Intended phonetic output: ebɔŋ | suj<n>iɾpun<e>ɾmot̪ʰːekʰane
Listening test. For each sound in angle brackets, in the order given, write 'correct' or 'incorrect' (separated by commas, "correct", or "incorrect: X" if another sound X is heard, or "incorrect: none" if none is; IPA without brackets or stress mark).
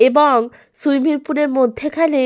incorrect: m, correct